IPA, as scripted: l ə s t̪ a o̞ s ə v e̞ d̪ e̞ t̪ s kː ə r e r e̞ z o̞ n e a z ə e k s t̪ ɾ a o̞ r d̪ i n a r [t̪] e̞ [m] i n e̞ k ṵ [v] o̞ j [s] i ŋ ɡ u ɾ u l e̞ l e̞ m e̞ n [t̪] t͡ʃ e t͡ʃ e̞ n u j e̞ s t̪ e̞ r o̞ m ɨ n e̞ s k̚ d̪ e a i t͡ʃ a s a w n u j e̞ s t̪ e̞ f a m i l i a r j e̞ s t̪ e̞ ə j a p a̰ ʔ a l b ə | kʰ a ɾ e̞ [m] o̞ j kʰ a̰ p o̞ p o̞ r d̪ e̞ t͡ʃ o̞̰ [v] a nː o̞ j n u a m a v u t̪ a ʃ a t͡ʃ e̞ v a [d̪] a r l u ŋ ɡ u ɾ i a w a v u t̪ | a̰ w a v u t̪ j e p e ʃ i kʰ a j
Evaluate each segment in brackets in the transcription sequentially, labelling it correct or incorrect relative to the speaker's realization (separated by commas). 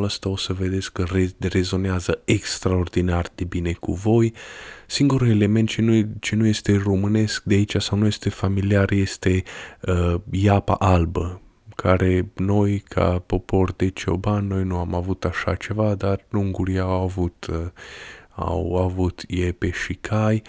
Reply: incorrect, incorrect, correct, correct, correct, incorrect, incorrect, correct